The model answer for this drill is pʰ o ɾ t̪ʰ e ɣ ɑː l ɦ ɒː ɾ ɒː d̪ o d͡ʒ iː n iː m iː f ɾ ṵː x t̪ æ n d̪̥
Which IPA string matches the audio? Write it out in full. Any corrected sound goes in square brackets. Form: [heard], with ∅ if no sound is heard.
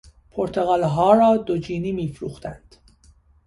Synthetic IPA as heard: pʰ o ɾ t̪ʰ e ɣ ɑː l ɦ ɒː ɾ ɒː d̪ o d͡ʒ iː n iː m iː f ɾ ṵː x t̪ æ n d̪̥